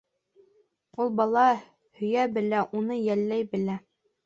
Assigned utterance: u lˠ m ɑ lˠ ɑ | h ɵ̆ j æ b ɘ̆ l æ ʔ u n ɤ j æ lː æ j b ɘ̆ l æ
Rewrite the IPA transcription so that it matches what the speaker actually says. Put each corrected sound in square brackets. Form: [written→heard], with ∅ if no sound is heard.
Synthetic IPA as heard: u lˠ [m→b] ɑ lˠ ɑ | h ɵ̆ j æ b ɘ̆ l æ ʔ u n ɤ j æ lː æ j b ɘ̆ l æ